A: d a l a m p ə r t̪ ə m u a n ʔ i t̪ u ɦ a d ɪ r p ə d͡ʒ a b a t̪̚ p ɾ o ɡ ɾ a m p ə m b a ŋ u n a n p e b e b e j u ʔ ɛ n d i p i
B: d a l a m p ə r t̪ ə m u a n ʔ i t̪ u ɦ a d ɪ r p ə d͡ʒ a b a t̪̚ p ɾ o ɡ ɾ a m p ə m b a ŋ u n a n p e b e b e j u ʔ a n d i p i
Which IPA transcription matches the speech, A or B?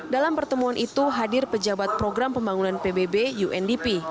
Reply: A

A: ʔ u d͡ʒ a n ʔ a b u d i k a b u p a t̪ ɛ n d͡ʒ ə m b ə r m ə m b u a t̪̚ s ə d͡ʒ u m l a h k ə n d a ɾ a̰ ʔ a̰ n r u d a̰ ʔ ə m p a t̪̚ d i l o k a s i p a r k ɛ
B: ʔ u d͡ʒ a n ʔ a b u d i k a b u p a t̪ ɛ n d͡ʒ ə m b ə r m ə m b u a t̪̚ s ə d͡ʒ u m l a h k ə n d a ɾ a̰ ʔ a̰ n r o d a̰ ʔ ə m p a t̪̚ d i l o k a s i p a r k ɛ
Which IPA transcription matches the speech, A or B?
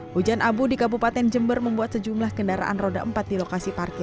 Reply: B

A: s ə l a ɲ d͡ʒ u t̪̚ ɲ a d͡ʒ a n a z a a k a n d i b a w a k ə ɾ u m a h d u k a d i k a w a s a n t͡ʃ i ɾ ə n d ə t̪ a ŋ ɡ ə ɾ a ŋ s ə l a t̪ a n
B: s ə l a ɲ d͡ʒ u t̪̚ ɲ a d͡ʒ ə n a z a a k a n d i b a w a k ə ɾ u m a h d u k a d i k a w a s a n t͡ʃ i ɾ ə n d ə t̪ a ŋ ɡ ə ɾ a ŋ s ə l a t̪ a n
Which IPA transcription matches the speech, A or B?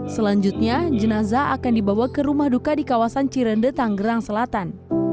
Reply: B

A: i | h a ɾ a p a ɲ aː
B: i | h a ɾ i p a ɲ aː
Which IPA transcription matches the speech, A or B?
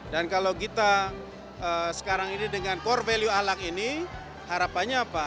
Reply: A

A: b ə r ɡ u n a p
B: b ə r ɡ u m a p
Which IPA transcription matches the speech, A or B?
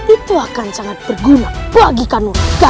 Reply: A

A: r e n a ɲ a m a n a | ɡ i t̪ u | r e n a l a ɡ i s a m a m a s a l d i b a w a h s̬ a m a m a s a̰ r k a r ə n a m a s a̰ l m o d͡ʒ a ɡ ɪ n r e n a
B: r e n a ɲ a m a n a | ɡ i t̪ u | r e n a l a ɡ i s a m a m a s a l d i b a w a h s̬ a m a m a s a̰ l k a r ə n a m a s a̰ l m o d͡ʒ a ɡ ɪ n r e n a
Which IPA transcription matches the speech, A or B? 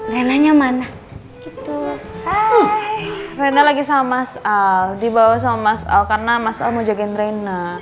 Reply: B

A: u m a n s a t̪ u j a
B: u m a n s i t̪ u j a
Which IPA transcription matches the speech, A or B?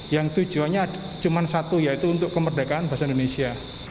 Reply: A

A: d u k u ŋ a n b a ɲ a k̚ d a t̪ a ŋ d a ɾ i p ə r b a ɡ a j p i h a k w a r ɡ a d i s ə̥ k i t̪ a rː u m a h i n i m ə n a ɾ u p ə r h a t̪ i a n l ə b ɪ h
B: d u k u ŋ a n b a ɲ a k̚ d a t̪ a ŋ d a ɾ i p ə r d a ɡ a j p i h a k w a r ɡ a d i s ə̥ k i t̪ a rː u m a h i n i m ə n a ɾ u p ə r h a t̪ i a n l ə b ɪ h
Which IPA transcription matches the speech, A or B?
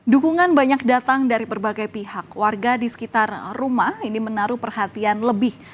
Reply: A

